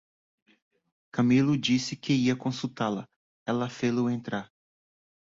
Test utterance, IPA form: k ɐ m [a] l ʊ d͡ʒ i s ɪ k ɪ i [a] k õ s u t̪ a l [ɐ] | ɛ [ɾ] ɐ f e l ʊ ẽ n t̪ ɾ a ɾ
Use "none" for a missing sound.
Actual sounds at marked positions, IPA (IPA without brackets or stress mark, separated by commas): i, ɐ, ɐ, l